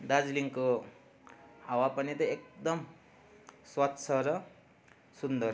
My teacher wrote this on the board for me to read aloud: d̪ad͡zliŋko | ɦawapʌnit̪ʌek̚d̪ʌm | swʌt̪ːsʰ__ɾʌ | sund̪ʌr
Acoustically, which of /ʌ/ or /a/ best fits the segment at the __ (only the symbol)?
ʌ